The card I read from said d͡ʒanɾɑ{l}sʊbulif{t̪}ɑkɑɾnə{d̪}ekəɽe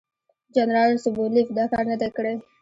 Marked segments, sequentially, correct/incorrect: correct, incorrect: d̪, correct

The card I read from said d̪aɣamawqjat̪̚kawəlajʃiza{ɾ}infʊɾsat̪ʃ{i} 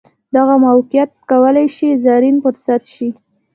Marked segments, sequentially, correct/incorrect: correct, correct

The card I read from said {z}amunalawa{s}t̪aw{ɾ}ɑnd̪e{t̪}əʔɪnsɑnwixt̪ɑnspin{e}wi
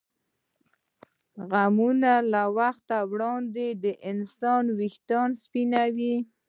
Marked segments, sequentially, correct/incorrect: incorrect: ɣ, incorrect: x, incorrect: ɽ, incorrect: d̪, incorrect: a

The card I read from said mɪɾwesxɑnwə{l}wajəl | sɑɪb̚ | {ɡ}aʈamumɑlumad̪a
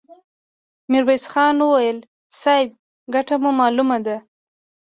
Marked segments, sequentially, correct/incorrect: incorrect: none, correct

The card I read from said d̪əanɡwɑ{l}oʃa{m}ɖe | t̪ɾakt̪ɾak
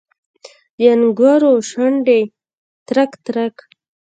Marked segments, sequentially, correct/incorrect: incorrect: ɾ, incorrect: ɳ

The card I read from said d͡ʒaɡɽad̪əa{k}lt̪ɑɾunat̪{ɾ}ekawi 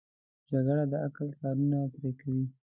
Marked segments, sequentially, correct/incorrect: correct, correct

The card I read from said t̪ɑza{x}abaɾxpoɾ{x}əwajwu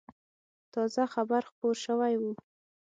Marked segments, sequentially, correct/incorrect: correct, incorrect: ʃ

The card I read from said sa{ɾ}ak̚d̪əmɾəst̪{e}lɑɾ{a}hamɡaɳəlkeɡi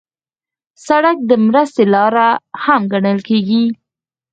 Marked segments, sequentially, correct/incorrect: incorrect: ɽ, correct, correct

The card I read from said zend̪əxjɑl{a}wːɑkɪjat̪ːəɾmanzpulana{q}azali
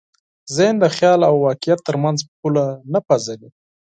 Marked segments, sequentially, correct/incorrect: correct, incorrect: p

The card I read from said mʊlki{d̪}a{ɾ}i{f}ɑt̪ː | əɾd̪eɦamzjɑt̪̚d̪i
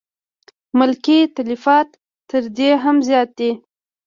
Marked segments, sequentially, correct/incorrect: incorrect: t̪, incorrect: l, correct

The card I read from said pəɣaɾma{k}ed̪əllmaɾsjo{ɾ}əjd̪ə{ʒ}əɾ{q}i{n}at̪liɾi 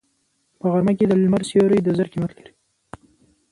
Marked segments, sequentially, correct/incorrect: correct, correct, incorrect: z, incorrect: k, incorrect: m

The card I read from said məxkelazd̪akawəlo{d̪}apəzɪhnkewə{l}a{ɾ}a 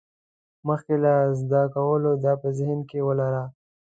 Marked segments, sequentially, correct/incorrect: correct, correct, correct

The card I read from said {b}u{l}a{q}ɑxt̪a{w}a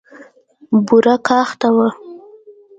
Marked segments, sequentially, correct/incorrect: correct, incorrect: ɾ, incorrect: k, correct

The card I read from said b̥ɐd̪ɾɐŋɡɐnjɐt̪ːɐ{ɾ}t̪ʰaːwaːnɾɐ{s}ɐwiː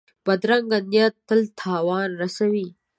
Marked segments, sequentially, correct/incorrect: incorrect: l, correct

